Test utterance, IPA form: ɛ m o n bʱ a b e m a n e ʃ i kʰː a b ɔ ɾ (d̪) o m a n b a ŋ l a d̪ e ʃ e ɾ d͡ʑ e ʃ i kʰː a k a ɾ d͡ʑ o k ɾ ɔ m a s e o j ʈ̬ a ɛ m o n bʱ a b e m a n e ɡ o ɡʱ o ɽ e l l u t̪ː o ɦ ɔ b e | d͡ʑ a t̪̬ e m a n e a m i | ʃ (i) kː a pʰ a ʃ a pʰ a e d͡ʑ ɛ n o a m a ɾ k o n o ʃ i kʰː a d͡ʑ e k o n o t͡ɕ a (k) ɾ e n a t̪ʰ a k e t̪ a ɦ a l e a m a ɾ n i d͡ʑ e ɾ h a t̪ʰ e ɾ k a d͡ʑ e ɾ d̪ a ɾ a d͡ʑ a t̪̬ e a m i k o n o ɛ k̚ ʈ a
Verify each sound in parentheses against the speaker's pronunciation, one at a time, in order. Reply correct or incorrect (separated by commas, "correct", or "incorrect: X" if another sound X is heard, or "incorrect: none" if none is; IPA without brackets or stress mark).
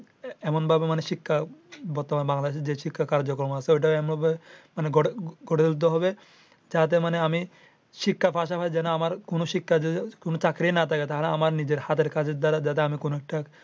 incorrect: t̪, correct, correct